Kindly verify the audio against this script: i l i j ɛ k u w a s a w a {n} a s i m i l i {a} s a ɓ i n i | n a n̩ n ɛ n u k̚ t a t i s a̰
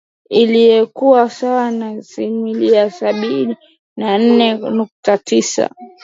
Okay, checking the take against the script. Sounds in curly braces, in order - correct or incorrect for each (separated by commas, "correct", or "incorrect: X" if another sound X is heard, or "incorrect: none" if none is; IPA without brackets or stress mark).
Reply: correct, correct